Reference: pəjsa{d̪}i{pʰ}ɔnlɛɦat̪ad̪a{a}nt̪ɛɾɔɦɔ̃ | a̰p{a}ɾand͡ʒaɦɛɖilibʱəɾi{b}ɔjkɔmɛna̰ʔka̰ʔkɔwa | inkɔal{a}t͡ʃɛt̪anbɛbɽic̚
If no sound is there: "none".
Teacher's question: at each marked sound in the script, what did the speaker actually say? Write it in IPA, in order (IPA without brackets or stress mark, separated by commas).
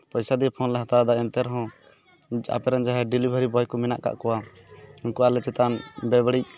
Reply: d̪, pʰ, ɛ, ɛ, b, ɛ